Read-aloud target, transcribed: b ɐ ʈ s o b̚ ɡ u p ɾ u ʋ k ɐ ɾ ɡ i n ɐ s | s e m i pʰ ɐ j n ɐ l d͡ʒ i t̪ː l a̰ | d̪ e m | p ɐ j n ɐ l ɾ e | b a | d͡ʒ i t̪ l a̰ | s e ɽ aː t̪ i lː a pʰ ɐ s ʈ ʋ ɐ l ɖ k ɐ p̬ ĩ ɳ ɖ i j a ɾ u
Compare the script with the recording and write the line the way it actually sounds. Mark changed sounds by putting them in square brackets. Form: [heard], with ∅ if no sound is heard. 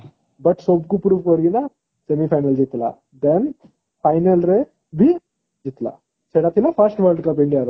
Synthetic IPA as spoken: b ɐ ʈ s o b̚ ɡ u p ɾ u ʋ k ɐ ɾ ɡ i n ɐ [∅] | s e m i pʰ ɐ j n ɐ l d͡ʒ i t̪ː l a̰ | d̪ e [n] | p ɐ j n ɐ l ɾ e | b [i] | d͡ʒ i t̪ l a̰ | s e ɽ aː t̪ i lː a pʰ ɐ s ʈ ʋ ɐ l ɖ k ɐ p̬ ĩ ɳ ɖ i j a ɾ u

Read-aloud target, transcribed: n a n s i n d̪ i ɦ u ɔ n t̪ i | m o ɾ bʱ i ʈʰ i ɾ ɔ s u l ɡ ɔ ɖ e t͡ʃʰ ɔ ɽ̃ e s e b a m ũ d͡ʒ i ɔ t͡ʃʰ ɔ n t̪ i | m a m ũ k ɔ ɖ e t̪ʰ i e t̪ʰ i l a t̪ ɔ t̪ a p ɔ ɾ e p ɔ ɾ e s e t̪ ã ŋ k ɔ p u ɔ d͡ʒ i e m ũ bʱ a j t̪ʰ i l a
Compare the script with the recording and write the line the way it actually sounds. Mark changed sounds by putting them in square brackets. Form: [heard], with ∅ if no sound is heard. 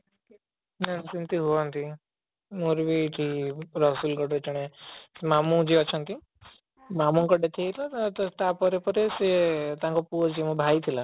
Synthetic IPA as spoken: n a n s i n [t̪] i ɦ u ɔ n t̪ i | m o ɾ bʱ i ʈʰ i ɾ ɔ s u l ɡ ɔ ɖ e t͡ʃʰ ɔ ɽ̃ e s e [m] a m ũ d͡ʒ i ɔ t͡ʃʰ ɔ n t̪ i | m a m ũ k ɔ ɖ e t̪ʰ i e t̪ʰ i l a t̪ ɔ t̪ a p ɔ ɾ e p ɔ ɾ e s e t̪ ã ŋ k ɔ p u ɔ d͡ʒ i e m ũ bʱ a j t̪ʰ i l a

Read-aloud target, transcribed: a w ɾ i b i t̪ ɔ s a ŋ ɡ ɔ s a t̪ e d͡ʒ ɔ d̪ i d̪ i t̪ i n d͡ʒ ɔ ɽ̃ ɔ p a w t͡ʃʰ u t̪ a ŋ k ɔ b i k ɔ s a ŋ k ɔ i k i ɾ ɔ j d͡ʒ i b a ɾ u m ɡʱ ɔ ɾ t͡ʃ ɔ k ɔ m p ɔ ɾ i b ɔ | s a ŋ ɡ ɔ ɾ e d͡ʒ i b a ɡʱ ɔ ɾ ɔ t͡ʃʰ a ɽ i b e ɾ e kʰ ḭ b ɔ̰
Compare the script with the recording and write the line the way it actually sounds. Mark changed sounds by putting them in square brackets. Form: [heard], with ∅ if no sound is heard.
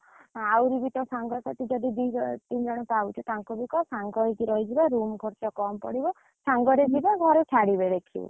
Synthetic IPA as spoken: a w ɾ i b i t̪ ɔ s a ŋ ɡ ɔ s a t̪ [i] d͡ʒ ɔ d̪ i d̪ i t̪ i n d͡ʒ ɔ ɽ̃ ɔ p a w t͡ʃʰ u t̪ a ŋ k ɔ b i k ɔ s a ŋ [ɡ] ɔ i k i ɾ ɔ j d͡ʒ i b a ɾ u m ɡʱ ɔ ɾ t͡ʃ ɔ k ɔ m p ɔ [ɽ] i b ɔ | s a ŋ ɡ ɔ ɾ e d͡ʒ i b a ɡʱ ɔ ɾ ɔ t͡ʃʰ a ɽ i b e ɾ e kʰ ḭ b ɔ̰

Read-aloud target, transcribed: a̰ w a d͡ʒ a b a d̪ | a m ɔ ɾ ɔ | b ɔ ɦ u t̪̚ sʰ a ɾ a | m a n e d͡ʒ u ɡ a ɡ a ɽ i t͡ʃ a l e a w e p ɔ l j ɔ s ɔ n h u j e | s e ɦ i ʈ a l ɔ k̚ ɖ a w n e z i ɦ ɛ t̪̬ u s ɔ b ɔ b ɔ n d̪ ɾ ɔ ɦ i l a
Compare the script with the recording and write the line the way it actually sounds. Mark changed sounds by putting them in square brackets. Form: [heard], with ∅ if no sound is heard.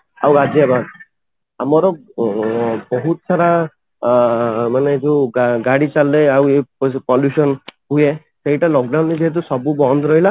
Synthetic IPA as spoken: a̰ w a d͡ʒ a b a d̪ | a m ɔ ɾ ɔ | b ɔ ɦ u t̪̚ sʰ a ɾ a | m a n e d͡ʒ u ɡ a ɡ a ɽ i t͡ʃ a l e a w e p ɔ l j [u] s ɔ n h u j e | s e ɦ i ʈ a l ɔ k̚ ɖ a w n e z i ɦ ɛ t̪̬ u s ɔ b [u] b ɔ n d̪ ɾ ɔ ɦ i l a

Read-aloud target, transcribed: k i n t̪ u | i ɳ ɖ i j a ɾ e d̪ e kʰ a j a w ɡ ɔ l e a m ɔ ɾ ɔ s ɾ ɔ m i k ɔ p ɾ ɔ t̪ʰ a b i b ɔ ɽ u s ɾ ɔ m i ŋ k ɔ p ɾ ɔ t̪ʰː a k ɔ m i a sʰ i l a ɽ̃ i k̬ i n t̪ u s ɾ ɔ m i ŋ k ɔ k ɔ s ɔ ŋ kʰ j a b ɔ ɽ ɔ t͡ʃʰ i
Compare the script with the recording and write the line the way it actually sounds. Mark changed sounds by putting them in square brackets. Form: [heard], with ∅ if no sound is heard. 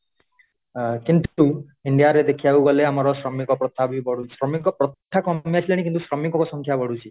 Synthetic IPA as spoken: k i n t̪ u | i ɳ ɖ i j a ɾ e d̪ e kʰ [i] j a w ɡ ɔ l e a m ɔ ɾ ɔ s ɾ ɔ m i k ɔ p ɾ ɔ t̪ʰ a b i b ɔ ɽ u s ɾ ɔ m i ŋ k ɔ p ɾ ɔ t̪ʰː a k ɔ m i a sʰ i l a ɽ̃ i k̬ i n t̪ u s ɾ ɔ m i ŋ k ɔ k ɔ s ɔ ŋ kʰ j a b ɔ ɽ [u] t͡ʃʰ i

